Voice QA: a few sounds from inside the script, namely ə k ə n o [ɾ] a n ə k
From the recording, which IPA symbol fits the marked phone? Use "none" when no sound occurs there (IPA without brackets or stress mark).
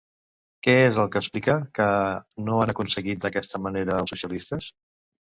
none